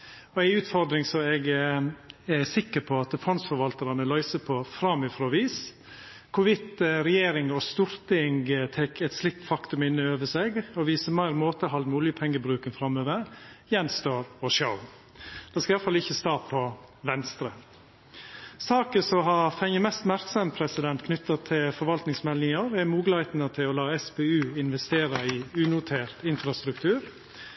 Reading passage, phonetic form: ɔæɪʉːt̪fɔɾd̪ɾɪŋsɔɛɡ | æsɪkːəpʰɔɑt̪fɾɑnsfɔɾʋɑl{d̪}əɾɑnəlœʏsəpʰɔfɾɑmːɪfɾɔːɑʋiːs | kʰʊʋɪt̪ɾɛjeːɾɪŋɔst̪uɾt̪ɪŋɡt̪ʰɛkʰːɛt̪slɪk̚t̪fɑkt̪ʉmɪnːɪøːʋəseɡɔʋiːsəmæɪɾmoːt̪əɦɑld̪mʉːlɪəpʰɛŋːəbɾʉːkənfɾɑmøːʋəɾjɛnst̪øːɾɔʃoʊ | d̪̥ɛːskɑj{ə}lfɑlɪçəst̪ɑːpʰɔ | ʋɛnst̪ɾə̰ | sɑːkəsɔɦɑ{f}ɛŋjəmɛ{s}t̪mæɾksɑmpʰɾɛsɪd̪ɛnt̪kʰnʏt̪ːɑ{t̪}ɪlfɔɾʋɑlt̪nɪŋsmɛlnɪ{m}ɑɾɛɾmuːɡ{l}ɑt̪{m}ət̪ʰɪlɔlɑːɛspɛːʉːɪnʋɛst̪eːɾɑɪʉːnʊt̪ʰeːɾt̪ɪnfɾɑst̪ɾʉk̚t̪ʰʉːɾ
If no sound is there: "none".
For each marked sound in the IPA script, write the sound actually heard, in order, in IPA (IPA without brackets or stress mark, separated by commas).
t̪, ɑ, f, s, t̪ʰ, ŋ, l, n